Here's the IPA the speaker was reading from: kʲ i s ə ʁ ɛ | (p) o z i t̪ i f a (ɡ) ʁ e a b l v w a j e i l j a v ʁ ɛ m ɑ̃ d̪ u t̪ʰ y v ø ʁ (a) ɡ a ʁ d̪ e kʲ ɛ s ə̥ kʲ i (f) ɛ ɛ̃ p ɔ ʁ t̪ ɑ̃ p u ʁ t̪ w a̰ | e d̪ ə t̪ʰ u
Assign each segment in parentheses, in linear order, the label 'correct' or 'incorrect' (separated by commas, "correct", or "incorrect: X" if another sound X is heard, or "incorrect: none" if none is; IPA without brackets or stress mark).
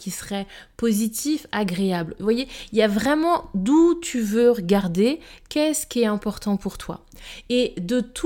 correct, correct, incorrect: ə, incorrect: none